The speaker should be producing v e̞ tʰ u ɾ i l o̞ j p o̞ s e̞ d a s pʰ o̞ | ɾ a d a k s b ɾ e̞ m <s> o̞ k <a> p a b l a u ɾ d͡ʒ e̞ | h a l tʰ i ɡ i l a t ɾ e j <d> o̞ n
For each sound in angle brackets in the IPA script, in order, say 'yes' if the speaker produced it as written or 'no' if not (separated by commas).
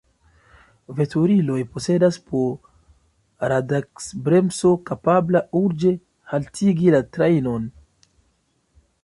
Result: yes, yes, no